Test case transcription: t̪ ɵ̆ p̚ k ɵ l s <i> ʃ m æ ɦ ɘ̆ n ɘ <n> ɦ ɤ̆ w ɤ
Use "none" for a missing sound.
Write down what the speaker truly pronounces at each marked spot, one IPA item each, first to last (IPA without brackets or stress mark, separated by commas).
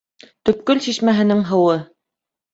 i, ŋ